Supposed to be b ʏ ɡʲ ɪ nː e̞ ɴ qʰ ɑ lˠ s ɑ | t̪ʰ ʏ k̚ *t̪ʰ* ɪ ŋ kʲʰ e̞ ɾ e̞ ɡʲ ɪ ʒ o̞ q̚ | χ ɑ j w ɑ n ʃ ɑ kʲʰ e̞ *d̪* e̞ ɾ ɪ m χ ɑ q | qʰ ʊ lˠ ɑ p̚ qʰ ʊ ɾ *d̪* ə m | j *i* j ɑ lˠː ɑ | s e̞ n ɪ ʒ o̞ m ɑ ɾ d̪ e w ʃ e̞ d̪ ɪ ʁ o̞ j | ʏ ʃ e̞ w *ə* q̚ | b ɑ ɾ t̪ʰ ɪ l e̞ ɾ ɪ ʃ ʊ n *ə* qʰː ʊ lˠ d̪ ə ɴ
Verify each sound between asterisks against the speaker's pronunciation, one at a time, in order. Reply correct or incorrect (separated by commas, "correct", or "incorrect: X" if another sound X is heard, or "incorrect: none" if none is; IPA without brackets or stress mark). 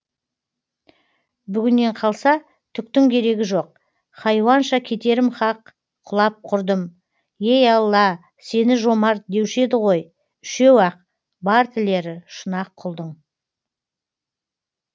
incorrect: t̪, incorrect: t̪, correct, incorrect: e, incorrect: ɑ, incorrect: ɑ